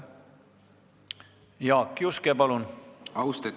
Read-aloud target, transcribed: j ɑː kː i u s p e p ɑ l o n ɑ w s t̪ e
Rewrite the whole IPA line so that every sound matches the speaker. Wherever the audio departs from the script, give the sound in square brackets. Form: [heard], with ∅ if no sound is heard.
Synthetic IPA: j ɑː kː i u s [k] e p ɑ l [u] n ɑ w s t̪ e